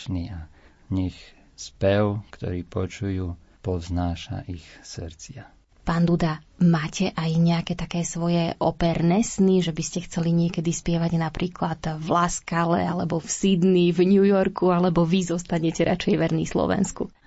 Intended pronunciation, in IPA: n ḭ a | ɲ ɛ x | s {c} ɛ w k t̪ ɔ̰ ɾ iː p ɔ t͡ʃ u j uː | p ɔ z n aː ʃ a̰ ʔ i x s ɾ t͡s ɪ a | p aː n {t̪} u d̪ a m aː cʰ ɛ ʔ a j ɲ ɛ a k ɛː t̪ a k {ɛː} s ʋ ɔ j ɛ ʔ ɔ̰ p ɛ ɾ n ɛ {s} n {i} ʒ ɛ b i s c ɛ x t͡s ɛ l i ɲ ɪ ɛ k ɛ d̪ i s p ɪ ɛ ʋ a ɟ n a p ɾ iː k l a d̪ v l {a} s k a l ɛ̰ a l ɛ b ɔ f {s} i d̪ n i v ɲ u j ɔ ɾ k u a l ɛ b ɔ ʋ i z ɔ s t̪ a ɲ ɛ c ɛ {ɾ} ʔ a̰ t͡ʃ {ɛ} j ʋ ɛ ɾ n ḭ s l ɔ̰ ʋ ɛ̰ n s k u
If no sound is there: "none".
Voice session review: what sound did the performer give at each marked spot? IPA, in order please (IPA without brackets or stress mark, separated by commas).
p, d̪, ɛː, s, i, a, s, ɾ, ɛ